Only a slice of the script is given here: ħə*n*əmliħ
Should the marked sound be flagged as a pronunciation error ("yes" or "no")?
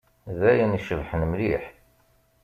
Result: no